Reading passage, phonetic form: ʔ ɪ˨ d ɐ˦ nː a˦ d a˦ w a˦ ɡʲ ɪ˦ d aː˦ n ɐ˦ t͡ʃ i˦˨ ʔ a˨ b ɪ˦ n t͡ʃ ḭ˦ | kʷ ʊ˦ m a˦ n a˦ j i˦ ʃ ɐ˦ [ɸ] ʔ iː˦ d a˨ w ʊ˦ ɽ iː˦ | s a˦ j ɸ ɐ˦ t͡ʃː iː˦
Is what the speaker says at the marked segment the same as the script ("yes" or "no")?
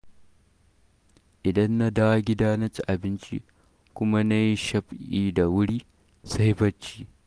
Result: yes